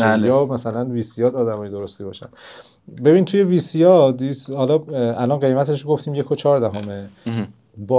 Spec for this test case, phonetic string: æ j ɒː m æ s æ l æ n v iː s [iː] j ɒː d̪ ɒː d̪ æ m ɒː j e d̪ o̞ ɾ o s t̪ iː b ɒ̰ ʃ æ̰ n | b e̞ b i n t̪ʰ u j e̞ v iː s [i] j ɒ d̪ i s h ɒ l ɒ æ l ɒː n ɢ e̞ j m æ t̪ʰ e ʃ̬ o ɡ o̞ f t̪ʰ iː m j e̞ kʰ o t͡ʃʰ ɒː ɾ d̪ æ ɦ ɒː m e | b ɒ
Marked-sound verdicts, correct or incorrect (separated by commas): incorrect, correct